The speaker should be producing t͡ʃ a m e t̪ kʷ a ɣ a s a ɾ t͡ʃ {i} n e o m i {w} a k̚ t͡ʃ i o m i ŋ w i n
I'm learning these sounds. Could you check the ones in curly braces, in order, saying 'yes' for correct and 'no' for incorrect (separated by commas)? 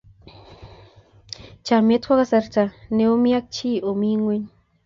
no, no